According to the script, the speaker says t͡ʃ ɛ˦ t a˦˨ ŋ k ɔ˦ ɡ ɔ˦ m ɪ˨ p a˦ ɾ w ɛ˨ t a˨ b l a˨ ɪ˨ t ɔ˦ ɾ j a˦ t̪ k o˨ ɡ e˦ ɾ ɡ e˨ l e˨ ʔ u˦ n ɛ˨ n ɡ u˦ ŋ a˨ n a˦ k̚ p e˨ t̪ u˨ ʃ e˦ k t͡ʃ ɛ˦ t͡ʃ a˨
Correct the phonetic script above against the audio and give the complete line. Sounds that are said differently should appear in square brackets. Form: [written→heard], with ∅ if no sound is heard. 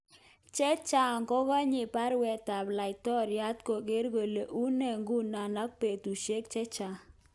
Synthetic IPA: t͡ʃ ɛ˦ [t→t͡ʃ] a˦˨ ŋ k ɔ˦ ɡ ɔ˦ [m→ɲ] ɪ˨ p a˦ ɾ w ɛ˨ t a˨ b l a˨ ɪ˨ t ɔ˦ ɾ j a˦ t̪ k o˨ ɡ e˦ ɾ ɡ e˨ l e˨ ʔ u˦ n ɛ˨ [n→ŋ] ɡ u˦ [ŋ→n] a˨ n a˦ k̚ p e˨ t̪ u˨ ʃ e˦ k t͡ʃ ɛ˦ t͡ʃ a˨